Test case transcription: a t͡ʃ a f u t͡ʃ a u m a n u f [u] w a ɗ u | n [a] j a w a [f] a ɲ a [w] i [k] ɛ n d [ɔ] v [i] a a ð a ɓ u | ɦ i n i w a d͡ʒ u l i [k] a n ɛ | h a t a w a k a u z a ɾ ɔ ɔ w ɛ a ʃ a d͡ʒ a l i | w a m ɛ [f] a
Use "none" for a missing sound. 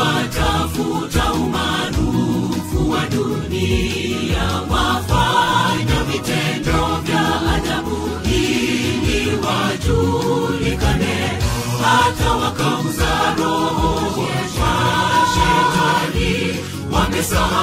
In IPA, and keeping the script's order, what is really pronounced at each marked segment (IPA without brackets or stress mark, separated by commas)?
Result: u, i, f, v, t, ɔ, j, k, s